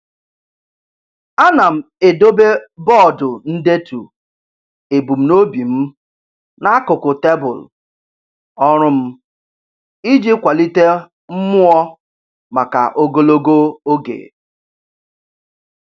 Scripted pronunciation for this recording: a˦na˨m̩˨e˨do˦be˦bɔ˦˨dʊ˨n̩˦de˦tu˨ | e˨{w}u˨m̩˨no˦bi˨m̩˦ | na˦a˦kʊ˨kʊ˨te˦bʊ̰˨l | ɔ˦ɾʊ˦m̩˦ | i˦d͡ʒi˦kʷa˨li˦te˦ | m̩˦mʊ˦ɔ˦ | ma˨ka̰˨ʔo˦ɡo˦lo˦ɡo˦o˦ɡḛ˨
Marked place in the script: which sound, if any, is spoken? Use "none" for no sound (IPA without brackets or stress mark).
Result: b